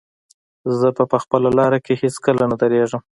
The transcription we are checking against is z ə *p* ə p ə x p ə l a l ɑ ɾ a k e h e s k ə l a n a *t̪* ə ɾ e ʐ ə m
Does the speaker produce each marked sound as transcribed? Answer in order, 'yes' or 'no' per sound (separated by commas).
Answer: yes, no